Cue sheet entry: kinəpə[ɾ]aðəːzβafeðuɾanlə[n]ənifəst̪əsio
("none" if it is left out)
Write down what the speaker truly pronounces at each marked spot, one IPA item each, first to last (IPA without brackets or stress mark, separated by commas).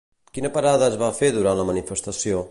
ɾ, m